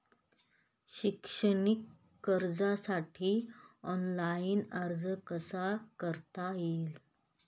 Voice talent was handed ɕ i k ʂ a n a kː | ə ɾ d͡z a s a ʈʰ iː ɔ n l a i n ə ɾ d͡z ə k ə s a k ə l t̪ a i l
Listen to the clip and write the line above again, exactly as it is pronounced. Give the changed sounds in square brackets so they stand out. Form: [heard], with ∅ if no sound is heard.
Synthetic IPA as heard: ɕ i k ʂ [ə] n [i] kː | ə ɾ d͡z a s a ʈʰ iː ɔ n l a i n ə ɾ d͡z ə k ə s a k ə [ɾ] t̪ a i l

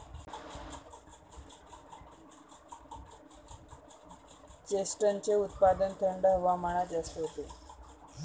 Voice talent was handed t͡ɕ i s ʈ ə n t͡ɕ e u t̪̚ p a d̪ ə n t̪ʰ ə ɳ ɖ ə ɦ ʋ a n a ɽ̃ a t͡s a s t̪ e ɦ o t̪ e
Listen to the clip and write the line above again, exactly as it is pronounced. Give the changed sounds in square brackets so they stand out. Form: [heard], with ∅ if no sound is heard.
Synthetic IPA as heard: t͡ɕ [e] s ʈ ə n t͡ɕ e u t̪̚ p a d̪ ə n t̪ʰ ə ɳ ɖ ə ɦ ʋ a [m] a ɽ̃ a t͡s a s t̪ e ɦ o t̪ e

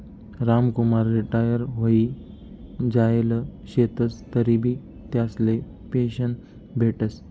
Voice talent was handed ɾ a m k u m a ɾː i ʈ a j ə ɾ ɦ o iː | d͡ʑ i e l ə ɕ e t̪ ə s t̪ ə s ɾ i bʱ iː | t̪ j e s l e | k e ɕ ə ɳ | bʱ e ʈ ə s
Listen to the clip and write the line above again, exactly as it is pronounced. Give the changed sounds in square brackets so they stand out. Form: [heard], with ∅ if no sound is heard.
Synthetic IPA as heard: ɾ a m k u m a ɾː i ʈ a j ə ɾ ɦ o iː | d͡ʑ [a] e l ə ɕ e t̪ ə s t̪ ə [∅] ɾ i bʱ iː | t̪ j [a] s l e | [p] e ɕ ə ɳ | bʱ e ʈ ə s

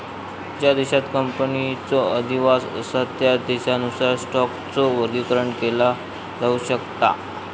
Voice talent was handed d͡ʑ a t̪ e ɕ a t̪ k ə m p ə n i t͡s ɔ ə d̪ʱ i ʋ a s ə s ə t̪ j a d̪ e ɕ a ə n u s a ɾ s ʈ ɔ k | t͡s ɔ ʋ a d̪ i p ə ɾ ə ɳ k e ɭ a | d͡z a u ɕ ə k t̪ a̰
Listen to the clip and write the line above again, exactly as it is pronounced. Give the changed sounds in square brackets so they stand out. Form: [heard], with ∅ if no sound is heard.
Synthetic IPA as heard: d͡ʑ a [d̪] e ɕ a t̪ k ə m p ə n i t͡s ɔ ə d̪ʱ i ʋ a s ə s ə t̪ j a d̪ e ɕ a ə n u s a ɾ s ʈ ɔ k | t͡s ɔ ʋ [ə] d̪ i [k] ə ɾ ə ɳ k e [l] a | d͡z a u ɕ ə k t̪ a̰

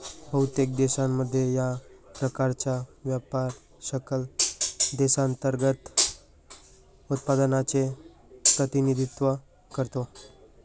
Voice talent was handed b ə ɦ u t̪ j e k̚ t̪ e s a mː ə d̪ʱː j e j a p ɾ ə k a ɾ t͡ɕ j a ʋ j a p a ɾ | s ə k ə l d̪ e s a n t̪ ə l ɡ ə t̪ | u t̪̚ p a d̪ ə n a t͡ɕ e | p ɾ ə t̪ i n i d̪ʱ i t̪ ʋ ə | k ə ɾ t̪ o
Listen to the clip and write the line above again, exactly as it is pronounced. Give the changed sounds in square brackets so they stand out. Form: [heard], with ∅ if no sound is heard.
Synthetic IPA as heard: b ə ɦ u t̪ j e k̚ [d̪] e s a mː ə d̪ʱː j e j a p ɾ ə k a ɾ t͡ɕ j a ʋ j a p a ɾ | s ə k ə l d̪ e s a n t̪ ə [ɾ] ɡ ə t̪ | u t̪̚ p a d̪ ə n a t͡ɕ e | p ɾ ə t̪ i n i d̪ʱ i t̪ ʋ ə | k ə ɾ t̪ o

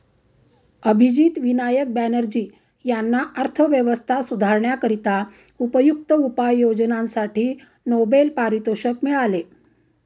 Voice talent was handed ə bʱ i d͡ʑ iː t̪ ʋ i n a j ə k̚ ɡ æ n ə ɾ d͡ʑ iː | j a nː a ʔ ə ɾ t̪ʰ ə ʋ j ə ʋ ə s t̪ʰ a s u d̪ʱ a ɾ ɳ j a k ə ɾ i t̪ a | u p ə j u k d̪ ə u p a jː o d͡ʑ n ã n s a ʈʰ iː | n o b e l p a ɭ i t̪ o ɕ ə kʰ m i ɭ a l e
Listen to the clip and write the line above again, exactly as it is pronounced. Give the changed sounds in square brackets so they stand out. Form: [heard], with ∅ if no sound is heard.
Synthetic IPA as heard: ə bʱ i d͡ʑ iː t̪ ʋ i n a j ə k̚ [b] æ n ə ɾ d͡ʑ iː | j a nː a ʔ ə ɾ t̪ʰ ə ʋ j ə ʋ ə s t̪ʰ a s u d̪ʱ a ɾ ɳ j a k ə ɾ i t̪ a | u p ə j u k [t̪] ə u p a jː o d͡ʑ n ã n s a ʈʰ iː | n o b e l p a [ɾ] i t̪ o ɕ ə [k] m i ɭ a l e

